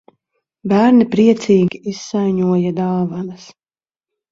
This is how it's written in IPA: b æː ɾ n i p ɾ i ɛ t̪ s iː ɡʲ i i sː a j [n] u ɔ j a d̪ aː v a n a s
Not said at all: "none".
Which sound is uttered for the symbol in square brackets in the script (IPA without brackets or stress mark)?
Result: ɲ